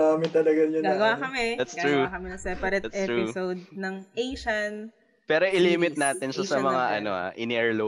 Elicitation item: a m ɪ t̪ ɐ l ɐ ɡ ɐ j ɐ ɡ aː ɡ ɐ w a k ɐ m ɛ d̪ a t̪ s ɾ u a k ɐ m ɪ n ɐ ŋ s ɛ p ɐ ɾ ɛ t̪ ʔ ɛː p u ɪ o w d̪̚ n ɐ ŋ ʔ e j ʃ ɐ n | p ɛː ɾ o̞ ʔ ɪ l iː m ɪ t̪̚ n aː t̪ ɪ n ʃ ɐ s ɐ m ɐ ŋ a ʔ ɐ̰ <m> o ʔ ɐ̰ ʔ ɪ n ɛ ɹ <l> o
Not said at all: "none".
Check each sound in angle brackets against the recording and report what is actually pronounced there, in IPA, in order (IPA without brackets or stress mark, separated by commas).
n, l